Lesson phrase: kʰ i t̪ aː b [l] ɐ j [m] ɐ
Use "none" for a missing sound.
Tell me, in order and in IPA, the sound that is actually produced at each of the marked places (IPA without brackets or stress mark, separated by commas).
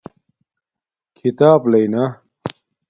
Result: l, n